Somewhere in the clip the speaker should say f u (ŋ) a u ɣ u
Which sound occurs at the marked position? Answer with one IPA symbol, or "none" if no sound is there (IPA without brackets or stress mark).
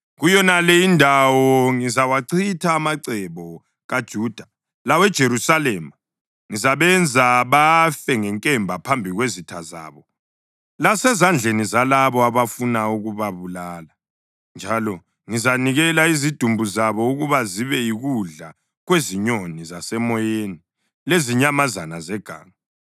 n